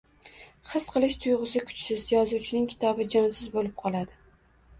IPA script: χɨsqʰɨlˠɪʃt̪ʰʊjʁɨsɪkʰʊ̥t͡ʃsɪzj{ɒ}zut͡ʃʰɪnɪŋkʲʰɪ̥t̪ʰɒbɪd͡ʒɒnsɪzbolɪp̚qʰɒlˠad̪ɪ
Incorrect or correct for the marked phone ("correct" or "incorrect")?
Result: correct